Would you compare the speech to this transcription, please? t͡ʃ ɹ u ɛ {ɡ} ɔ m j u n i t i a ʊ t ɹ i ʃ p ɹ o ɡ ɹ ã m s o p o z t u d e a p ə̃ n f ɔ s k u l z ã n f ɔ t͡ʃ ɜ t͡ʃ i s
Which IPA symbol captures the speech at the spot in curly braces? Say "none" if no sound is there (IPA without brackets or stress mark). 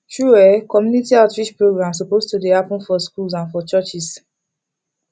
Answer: k